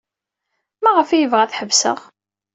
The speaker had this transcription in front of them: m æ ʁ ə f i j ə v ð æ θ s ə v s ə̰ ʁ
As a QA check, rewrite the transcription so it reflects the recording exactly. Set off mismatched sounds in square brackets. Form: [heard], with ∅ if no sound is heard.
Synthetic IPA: m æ ʁ ə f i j ə v [ʁ] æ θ [ħ] ə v s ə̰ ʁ